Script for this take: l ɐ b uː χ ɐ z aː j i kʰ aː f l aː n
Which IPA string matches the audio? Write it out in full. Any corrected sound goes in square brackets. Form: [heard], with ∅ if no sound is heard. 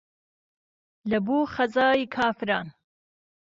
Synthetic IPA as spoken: l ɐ b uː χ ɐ z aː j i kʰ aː f [ɾ] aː n